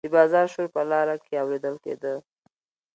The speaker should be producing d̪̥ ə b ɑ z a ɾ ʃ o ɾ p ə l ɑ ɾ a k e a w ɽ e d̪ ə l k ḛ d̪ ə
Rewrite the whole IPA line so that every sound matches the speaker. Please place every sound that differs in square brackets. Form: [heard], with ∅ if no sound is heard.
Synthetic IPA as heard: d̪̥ ə b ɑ z [ɑ] ɾ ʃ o ɾ p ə l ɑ ɾ a k e a w [ɾ] e d̪ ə l k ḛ d̪ ə